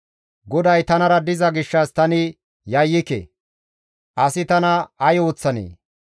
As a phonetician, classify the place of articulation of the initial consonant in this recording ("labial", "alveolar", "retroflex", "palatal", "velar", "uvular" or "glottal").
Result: velar